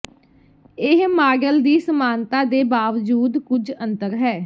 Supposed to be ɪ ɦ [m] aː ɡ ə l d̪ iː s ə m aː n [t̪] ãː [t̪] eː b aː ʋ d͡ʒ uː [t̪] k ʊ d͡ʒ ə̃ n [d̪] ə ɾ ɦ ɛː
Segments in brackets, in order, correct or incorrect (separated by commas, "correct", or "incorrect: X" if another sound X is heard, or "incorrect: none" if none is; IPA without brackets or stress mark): correct, correct, incorrect: d̪, incorrect: d̪, incorrect: t̪